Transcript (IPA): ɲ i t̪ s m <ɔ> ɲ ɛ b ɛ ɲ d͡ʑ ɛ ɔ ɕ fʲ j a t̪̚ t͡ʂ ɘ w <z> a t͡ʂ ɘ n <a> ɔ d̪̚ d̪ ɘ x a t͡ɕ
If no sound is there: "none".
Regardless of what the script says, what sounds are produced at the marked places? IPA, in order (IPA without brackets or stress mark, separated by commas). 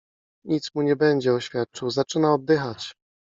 u, z, a